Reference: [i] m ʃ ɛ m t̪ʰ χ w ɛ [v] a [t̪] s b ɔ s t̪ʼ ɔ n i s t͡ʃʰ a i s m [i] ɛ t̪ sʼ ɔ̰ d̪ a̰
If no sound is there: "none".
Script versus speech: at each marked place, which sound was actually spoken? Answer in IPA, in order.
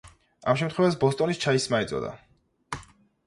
a, v, none, a

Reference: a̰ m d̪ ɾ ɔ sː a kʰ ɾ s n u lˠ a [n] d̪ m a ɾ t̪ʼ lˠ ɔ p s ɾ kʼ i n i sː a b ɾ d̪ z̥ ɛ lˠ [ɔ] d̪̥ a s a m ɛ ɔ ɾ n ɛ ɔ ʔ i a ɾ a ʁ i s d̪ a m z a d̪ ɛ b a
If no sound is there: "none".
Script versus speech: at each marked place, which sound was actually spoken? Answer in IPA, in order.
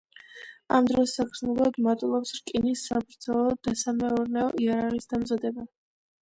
none, ɔ

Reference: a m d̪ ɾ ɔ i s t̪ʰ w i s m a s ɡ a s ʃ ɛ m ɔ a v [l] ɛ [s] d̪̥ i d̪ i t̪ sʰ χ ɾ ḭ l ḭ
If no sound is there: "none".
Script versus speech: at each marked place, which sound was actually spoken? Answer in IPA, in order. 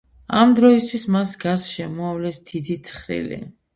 l, s

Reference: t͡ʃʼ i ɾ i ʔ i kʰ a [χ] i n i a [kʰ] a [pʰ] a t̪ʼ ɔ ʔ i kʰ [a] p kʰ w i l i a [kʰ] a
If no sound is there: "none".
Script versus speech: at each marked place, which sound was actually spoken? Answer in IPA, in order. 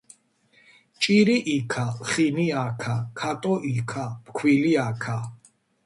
χ, kʰ, kʰ, a, kʰ

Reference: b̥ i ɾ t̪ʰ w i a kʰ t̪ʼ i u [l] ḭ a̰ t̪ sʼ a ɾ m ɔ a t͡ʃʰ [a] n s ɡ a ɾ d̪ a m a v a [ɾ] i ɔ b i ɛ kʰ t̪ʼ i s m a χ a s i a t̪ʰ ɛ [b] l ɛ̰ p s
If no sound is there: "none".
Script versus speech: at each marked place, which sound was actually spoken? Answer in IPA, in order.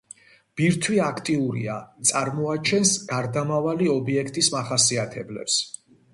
ɾ, ɛ, l, b

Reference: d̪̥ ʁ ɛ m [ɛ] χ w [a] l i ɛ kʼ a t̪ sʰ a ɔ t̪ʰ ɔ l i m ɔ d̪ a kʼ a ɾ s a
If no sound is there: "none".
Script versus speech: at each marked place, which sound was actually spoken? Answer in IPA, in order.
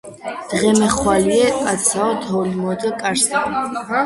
ɛ, a

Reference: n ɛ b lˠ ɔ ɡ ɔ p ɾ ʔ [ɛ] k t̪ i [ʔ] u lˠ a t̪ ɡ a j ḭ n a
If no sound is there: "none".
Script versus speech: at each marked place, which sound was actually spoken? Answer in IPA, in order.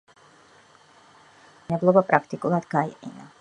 a, k

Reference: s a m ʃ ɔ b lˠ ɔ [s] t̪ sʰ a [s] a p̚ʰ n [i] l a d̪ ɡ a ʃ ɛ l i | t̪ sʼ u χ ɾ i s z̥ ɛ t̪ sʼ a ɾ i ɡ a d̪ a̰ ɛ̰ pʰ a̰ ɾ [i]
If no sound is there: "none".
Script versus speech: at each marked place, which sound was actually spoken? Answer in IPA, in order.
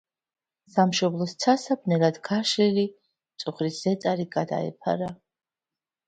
s, s, ɛ, a

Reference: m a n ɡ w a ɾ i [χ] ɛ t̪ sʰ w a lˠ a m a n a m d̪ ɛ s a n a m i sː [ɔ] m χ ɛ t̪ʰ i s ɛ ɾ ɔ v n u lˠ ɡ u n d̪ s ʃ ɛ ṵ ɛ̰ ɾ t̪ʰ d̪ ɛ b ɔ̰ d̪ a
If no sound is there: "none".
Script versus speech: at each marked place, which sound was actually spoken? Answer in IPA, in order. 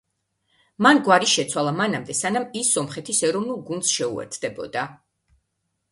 ʃ, ɔ

